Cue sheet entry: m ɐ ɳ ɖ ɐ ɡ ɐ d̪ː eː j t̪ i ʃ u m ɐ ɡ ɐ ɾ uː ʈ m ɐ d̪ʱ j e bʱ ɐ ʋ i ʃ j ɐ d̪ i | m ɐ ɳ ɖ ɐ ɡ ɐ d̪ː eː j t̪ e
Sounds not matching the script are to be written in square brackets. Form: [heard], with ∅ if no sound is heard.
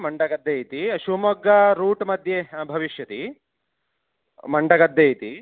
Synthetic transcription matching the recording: m ɐ ɳ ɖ ɐ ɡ ɐ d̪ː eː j t̪ i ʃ u m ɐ ɡ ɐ ɾ uː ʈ m ɐ d̪ʱ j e bʱ ɐ ʋ i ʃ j ɐ [t̪] i | m ɐ ɳ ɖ ɐ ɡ ɐ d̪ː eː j t̪ [i]